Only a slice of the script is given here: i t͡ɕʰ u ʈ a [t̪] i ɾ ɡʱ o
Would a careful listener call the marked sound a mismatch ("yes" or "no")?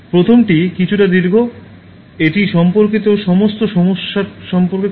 yes